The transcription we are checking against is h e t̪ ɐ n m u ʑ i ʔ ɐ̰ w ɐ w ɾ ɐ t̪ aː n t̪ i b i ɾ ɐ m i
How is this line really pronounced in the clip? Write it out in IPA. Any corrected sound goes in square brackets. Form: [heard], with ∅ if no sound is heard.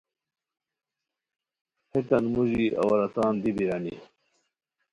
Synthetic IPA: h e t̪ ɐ n m u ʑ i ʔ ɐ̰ w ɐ [∅] ɾ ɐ t̪ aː n [d̪] i b i ɾ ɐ [n] i